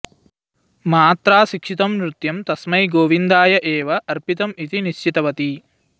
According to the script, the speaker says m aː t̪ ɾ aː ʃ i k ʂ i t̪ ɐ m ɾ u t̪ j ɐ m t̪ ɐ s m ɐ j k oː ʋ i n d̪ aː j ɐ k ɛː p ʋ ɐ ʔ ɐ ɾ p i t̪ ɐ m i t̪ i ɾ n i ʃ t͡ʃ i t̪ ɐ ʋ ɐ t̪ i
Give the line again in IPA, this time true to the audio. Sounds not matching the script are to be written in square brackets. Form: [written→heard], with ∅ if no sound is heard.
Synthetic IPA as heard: m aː t̪ ɾ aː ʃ i k ʂ i t̪ ɐ m ɾ u t̪ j ɐ m t̪ ɐ s m ɐ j [k→ɡ] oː ʋ i n d̪ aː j ɐ [k→ʔ] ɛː [p→∅] ʋ ɐ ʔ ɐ ɾ p i t̪ ɐ m i t̪ i [ɾ→∅] n i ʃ t͡ʃ i t̪ ɐ ʋ ɐ t̪ i